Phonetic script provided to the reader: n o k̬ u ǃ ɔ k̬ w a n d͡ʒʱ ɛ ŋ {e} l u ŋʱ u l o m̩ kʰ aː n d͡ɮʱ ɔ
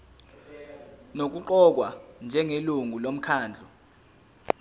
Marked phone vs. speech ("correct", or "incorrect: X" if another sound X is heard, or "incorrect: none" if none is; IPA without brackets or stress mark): correct